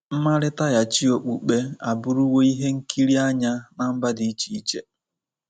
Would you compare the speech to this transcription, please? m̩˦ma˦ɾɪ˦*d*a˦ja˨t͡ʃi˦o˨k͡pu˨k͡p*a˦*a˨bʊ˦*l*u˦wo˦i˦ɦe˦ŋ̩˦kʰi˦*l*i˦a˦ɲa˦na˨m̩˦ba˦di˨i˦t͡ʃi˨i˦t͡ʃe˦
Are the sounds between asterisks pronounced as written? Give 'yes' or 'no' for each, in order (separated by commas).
no, no, no, no